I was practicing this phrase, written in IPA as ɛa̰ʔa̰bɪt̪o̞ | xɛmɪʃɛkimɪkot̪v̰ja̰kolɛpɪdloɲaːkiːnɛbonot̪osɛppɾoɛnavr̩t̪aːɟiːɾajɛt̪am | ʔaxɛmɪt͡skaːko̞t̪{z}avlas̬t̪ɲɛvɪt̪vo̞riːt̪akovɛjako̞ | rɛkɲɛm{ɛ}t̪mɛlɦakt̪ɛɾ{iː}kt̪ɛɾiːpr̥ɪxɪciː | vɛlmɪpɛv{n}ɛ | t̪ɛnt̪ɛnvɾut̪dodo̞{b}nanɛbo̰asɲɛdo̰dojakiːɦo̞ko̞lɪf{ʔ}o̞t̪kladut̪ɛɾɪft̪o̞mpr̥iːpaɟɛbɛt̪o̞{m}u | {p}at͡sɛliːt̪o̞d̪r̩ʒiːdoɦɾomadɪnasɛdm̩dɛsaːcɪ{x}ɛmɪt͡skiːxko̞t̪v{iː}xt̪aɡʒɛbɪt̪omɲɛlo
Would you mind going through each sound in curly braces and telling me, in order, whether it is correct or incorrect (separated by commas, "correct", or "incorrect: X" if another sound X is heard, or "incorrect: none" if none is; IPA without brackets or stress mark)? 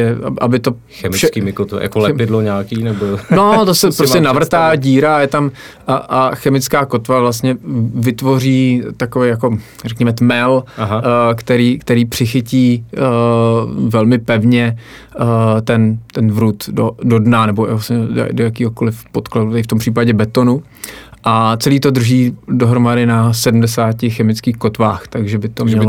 incorrect: v, correct, correct, incorrect: ɲ, incorrect: d, incorrect: p, incorrect: n, incorrect: ʔ, correct, incorrect: aː